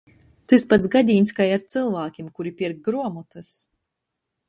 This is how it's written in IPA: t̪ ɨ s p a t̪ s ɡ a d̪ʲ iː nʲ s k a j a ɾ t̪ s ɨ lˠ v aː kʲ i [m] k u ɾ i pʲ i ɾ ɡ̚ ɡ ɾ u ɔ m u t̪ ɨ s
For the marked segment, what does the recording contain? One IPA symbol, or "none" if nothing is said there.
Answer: m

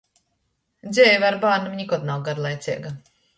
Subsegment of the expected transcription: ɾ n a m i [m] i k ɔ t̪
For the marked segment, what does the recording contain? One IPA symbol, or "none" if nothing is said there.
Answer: ɲ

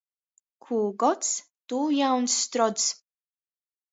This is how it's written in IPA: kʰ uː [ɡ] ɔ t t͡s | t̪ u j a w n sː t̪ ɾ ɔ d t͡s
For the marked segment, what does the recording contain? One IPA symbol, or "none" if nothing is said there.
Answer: ɡ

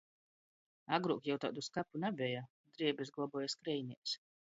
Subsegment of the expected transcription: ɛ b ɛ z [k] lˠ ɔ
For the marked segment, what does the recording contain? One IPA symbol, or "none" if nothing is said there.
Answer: ɡ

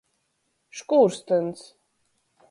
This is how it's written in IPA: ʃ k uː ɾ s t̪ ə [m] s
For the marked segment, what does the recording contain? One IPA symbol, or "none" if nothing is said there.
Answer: n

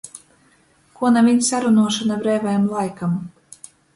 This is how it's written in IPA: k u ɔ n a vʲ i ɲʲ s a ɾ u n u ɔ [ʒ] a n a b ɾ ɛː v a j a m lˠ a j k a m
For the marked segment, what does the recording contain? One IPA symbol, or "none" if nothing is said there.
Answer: ʃ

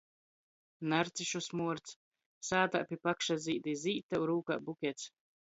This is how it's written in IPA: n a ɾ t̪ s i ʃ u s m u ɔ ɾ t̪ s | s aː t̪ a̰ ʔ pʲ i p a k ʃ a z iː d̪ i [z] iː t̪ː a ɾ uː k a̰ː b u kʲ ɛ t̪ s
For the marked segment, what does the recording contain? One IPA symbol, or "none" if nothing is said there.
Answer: z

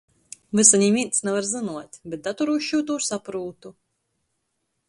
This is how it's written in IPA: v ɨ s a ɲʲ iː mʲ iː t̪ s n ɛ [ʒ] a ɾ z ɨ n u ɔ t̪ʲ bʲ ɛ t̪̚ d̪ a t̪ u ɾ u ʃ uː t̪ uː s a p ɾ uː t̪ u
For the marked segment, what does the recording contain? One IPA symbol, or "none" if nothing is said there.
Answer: v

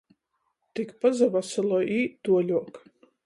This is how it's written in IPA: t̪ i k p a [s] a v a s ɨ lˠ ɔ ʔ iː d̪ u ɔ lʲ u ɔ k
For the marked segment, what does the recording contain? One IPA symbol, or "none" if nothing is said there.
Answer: z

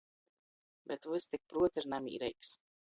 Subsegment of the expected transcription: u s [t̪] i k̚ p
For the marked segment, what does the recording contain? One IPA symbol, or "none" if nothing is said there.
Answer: t̪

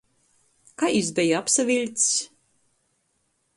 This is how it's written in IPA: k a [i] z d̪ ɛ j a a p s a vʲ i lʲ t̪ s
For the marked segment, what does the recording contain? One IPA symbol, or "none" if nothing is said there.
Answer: i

